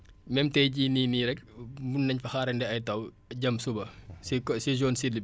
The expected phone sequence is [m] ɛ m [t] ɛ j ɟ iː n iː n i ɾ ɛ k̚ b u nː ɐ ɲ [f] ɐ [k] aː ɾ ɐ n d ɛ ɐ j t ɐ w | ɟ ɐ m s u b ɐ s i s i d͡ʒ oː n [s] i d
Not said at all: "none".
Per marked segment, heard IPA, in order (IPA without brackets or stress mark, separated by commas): m, t, f, x, s